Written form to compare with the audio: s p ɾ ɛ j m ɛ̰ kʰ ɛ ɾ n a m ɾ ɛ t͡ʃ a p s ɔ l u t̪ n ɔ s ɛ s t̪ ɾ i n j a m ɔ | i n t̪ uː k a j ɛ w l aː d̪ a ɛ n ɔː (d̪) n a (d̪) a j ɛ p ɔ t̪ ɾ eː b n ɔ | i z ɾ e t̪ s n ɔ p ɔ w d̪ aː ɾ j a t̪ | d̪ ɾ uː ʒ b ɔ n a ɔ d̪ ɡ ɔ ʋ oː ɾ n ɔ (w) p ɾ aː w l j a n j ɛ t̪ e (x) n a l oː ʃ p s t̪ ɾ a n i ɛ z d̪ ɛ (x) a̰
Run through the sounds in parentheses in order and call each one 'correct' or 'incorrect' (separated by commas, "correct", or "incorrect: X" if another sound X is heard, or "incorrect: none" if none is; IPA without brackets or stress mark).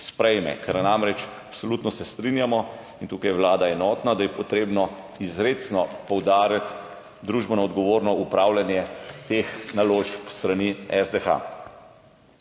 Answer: incorrect: t̪, correct, incorrect: u, correct, correct